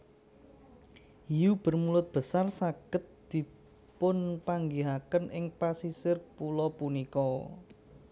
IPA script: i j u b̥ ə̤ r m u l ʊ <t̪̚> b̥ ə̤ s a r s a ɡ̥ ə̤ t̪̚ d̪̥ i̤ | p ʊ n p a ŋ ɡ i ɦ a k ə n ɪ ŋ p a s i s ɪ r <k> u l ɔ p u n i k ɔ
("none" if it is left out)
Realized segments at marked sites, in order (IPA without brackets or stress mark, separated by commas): t̪̚, p